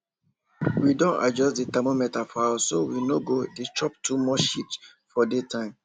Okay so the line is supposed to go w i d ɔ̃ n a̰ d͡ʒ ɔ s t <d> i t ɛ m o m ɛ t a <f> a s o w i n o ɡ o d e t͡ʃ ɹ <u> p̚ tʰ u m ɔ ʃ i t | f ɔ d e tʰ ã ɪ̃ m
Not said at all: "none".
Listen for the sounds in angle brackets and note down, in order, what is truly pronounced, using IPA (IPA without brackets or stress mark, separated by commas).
d, f, ɔ